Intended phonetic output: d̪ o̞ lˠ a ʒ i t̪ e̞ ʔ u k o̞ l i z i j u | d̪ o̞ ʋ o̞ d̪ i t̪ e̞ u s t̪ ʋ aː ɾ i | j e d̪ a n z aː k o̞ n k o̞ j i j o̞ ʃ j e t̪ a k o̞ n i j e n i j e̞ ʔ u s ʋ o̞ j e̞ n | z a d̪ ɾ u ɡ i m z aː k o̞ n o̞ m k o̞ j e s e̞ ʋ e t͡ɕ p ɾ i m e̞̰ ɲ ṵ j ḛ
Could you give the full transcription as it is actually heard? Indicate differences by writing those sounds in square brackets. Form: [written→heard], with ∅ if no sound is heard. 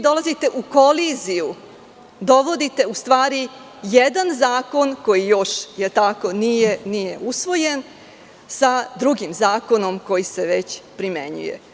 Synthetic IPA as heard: d̪ o̞ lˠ a [ʒ→z] i t̪ e̞ ʔ u k o̞ l i z i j u | d̪ o̞ ʋ o̞ d̪ i t̪ e̞ u s t̪ ʋ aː ɾ i | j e d̪ a n z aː k o̞ n k o̞ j i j o̞ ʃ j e t̪ a k o̞ n i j e n i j e̞ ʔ u s ʋ o̞ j e̞ n | [z→s] a d̪ ɾ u ɡ i m z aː k o̞ n o̞ m k o̞ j [e→i] s e̞ ʋ e t͡ɕ p ɾ i m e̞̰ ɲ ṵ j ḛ